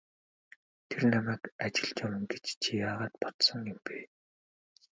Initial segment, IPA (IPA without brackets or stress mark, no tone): t̪ʰ